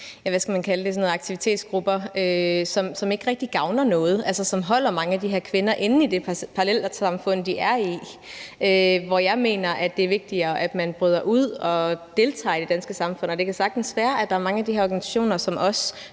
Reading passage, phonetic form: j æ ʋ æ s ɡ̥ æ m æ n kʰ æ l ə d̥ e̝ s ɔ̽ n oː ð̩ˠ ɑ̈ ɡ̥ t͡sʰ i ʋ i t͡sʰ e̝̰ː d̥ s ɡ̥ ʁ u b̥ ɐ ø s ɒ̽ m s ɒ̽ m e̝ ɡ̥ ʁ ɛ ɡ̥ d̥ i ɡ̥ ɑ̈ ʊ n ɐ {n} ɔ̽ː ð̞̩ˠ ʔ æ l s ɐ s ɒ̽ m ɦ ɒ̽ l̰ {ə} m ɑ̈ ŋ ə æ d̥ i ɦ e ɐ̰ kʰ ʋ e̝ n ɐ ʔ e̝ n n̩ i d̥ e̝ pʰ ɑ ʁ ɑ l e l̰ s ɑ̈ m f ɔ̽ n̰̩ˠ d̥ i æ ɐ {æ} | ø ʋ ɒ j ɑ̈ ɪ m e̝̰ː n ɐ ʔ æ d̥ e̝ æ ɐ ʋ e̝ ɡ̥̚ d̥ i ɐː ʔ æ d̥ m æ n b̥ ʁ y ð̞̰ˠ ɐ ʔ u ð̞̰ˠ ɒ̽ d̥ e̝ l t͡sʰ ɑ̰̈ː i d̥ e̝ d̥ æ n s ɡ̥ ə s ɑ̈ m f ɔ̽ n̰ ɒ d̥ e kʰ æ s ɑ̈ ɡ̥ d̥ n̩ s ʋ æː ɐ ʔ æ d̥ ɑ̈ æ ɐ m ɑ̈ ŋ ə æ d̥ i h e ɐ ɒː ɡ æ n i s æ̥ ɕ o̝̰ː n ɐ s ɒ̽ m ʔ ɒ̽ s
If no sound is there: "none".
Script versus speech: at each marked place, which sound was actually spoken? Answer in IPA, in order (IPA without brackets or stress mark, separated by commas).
n, ɐ, i